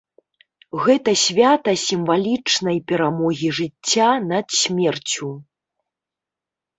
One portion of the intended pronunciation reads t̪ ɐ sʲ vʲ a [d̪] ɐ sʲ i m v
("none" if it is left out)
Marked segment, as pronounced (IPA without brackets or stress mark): t̪